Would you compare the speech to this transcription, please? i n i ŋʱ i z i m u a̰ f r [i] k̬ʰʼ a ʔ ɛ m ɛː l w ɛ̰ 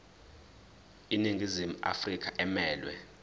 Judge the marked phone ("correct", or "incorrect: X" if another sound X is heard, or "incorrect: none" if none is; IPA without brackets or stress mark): correct